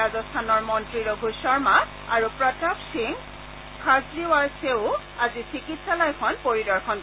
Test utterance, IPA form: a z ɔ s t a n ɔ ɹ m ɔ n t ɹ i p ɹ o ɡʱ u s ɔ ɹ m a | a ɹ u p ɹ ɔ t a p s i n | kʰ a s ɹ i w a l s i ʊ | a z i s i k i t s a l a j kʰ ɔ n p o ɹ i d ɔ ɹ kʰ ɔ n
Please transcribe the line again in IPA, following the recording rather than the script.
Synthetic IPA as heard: a z ɔ s tʰ a n ɔ ɹ m ɔ n t ɹ i ɹ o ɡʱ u s ɔ ɹ m a | a ɹ u p ɹ ɔ t a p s i ŋ | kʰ a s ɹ i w a ɹ s e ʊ | a z i s i k i t s a l a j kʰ ɔ n p o ɹ i d ɔ ɹ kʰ ɔ n